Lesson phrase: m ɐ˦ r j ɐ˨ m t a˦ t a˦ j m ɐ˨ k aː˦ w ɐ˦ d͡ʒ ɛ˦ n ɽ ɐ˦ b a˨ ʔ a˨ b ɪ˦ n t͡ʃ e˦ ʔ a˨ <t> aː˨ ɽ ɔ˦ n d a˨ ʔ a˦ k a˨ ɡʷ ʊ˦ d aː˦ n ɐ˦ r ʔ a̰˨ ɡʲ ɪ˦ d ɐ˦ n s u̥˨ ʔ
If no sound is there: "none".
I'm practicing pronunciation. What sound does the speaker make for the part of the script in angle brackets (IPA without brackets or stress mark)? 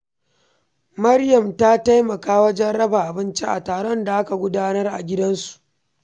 t